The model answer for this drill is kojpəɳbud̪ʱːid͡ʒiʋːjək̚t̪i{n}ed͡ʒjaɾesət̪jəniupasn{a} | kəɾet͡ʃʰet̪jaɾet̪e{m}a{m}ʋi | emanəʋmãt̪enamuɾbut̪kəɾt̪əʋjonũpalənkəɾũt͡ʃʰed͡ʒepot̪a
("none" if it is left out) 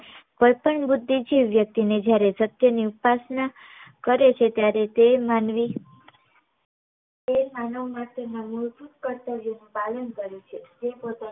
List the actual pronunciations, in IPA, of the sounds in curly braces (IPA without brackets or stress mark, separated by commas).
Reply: n, a, m, n